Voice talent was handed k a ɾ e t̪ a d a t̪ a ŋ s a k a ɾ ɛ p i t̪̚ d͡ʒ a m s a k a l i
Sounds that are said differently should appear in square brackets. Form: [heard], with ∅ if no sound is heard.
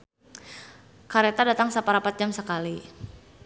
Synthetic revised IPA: k a ɾ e t̪ a d a t̪ a ŋ s a [p] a ɾ [a] p [a] t̪̚ d͡ʒ a m s [ə] k a l i